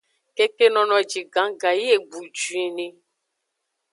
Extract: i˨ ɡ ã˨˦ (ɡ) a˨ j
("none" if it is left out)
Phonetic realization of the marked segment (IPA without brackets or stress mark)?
ɡ